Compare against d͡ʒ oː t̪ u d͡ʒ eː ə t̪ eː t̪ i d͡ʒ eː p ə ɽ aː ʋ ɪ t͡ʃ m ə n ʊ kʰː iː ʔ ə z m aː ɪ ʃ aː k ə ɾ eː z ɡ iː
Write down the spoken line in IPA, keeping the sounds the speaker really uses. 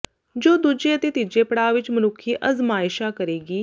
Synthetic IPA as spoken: d͡ʒ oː d̪ u d͡ʒ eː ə t̪ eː t̪ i d͡ʒ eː p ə ɽ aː ʋ ɪ t͡ʃ m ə n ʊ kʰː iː ʔ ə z m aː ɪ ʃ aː k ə ɾ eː ɡ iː